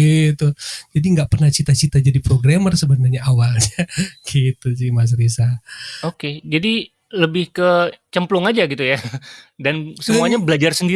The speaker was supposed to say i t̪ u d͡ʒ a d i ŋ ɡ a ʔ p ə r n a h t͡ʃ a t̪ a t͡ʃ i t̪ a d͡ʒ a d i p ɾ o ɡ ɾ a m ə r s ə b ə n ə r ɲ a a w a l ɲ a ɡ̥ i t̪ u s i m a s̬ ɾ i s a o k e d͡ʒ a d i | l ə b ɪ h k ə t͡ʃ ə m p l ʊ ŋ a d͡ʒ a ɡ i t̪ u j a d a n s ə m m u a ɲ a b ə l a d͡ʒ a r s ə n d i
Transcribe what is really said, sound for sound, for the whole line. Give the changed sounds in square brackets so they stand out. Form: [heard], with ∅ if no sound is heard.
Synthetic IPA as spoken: i t̪ u d͡ʒ a d i ŋ ɡ a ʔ p ə r n a h t͡ʃ [i] t̪ a t͡ʃ i t̪ a d͡ʒ a d i p ɾ o ɡ ɾ a m ə r s ə b ə n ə r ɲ a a w a l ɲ a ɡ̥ i t̪ u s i m a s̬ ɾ i s a o k e d͡ʒ a d i | l ə b ɪ h k ə t͡ʃ ə m p l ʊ ŋ a d͡ʒ a ɡ i t̪ u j a d a n s ə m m u a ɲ a b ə l a d͡ʒ a r s ə n d i